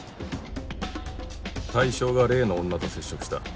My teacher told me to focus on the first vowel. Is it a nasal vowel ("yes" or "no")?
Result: no